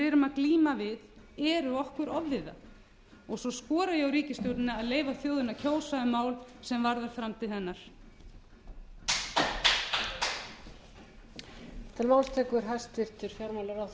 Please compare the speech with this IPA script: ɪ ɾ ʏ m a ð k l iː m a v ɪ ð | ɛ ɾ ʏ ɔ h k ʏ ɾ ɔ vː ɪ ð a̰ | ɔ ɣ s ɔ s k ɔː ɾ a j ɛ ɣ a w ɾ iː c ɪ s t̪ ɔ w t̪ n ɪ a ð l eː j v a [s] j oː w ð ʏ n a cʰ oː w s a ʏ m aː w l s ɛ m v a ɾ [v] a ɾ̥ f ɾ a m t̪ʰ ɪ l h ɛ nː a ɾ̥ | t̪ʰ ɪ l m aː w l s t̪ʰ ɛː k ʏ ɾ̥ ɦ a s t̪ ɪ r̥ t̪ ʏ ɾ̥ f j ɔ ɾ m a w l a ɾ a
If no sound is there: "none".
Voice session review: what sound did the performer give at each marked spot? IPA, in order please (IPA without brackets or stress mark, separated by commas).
θ, ð